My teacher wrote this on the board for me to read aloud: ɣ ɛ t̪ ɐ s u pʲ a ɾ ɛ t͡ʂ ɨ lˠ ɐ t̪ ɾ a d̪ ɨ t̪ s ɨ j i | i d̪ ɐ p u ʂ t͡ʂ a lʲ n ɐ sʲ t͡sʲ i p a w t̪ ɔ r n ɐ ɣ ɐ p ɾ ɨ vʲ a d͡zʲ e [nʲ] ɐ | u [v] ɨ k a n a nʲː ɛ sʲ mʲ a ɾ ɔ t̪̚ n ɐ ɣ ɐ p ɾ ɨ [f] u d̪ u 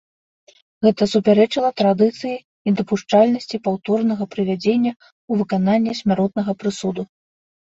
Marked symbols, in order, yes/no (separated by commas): no, yes, no